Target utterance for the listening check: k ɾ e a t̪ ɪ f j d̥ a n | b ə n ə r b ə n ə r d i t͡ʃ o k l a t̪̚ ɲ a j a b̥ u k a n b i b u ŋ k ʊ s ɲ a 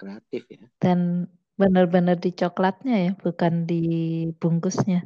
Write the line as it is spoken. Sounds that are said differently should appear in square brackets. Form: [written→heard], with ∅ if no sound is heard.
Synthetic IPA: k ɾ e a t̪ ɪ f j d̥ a n | b ə n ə r b ə n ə r d i t͡ʃ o k l a t̪̚ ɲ a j a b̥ u k a n [b→d] i b u ŋ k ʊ s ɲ a